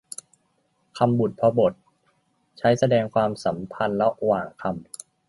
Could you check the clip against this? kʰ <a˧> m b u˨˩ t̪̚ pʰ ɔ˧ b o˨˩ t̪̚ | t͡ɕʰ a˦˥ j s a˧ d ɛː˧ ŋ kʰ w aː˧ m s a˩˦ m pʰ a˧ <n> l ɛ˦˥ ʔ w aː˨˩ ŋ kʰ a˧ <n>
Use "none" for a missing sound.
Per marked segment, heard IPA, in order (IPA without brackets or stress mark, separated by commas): a˧, n, m